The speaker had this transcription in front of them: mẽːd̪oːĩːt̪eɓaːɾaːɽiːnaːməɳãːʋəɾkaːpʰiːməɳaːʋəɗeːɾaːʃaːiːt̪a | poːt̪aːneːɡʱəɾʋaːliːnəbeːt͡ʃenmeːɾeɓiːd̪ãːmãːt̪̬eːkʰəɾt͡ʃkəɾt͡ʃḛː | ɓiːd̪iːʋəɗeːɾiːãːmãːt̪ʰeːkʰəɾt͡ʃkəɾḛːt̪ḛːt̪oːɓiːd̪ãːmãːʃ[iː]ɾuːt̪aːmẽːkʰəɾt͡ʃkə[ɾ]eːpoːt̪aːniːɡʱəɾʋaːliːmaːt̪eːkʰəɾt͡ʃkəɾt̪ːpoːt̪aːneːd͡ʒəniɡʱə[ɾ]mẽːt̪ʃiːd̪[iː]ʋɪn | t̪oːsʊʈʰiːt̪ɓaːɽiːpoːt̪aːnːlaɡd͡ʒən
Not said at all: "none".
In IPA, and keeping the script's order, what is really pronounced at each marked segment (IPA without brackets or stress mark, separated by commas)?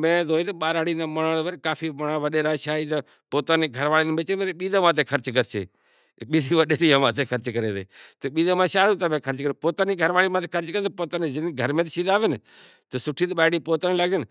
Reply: aː, ɾ, ɾ, aː